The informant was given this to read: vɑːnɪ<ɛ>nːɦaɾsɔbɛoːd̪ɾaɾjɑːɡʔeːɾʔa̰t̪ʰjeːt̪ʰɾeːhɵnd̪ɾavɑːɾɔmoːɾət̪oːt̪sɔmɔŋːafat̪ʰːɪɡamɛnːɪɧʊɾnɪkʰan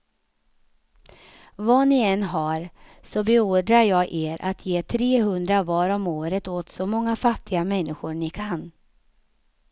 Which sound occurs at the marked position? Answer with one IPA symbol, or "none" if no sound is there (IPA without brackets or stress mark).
ɛ